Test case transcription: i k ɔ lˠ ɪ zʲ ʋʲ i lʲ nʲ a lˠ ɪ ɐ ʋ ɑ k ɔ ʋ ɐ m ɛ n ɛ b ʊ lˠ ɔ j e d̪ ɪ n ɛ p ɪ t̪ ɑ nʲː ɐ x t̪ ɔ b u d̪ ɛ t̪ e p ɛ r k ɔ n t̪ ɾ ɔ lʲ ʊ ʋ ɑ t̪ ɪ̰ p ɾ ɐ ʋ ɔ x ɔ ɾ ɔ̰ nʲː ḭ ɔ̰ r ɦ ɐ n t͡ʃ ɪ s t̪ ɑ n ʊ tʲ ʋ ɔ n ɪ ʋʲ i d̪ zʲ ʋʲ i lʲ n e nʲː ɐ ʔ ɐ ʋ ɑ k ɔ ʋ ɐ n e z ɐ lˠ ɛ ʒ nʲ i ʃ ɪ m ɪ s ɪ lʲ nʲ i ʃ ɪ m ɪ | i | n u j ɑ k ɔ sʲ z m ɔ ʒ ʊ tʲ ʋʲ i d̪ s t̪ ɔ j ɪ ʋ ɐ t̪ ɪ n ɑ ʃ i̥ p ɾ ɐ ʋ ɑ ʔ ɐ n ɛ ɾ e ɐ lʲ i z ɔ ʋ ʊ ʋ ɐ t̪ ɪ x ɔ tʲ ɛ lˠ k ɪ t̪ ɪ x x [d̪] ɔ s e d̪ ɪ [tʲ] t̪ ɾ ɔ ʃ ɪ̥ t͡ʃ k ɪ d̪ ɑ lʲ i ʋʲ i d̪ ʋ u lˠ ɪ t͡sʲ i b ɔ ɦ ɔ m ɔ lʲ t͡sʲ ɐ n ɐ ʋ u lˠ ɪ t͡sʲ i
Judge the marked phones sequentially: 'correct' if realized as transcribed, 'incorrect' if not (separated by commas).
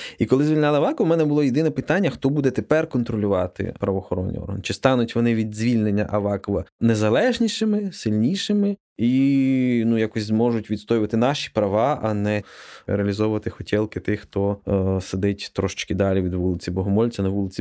incorrect, correct